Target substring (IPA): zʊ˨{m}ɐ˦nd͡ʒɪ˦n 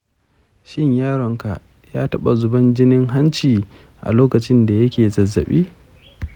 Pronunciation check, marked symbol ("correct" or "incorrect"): incorrect